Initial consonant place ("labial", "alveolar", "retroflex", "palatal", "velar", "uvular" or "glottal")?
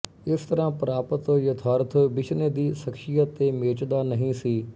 alveolar